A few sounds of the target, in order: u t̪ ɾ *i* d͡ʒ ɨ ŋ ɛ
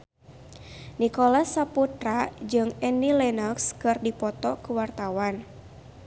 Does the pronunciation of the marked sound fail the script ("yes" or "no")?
yes